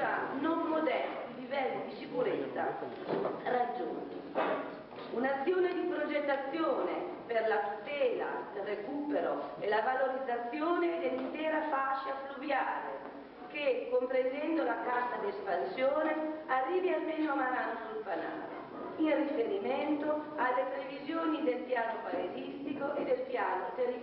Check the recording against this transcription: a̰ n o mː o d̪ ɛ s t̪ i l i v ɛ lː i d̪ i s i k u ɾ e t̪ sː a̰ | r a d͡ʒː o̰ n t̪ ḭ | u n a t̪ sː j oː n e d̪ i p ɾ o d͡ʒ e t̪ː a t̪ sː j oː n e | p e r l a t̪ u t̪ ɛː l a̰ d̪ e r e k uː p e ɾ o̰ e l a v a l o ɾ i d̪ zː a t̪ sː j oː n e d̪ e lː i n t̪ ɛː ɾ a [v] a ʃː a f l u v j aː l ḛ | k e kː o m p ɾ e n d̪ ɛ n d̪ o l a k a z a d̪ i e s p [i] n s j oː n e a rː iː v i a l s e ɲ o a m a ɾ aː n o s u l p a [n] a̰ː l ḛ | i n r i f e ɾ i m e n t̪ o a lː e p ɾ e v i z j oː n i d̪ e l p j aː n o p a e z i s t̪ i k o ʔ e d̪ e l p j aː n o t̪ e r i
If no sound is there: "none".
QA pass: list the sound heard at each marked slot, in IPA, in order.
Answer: f, a, n

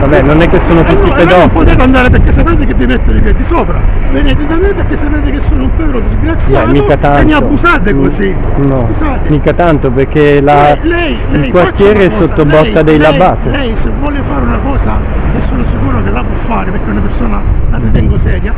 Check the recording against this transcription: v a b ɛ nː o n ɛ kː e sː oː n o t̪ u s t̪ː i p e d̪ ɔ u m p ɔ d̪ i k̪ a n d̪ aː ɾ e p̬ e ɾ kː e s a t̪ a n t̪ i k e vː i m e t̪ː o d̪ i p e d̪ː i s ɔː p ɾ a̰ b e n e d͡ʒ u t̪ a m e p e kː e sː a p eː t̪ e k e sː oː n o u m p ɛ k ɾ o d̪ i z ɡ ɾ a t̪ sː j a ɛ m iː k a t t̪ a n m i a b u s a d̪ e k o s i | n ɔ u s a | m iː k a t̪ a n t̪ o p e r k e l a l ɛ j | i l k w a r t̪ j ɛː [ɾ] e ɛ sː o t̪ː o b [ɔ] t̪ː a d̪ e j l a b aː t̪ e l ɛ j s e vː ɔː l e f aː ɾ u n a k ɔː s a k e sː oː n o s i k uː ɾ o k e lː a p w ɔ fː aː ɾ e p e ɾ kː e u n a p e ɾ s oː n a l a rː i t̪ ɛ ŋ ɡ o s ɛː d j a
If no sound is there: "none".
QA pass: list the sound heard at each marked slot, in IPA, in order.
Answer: ɾ, ɔ

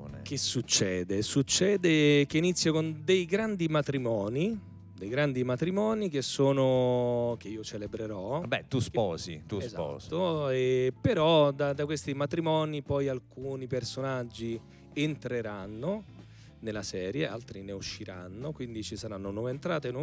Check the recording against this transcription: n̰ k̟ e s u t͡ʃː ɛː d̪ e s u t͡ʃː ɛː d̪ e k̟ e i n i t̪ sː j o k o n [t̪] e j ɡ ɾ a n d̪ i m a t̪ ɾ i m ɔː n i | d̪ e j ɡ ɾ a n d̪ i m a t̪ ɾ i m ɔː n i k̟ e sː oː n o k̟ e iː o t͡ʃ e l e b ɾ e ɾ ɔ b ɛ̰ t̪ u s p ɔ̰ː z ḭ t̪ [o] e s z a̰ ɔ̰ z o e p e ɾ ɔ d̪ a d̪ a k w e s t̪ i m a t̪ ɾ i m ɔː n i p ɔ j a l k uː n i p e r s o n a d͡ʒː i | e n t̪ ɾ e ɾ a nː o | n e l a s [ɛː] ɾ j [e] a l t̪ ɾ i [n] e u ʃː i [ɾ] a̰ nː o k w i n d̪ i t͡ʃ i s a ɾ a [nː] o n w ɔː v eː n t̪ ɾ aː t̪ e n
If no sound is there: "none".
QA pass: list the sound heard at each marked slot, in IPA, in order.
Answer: d̪, u, ɛː, e, n, ɾ, nː

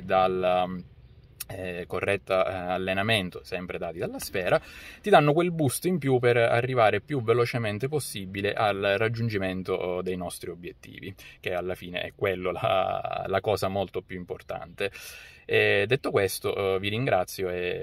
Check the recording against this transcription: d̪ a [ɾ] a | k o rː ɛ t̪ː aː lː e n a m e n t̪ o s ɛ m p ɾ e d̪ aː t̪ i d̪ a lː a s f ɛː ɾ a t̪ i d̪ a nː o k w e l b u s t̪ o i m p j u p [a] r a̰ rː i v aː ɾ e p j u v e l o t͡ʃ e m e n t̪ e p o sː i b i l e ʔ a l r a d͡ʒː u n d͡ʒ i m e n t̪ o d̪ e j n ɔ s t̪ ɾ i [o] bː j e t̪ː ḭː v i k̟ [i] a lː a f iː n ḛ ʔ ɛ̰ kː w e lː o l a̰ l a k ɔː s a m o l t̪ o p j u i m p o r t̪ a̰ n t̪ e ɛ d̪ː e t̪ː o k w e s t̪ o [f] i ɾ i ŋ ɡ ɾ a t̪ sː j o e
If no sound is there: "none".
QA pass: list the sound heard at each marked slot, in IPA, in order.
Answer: l, e, o, e, v

